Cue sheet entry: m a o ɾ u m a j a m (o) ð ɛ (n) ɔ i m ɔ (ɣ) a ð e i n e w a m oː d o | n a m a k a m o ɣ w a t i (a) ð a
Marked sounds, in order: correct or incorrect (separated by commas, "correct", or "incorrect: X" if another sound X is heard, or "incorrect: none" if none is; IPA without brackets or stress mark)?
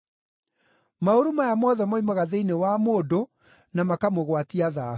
incorrect: ɔ, incorrect: m, correct, correct